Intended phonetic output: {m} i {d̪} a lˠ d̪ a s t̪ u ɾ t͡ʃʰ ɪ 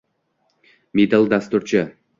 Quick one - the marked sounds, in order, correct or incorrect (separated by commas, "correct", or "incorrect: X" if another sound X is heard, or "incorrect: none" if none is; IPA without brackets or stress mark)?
correct, correct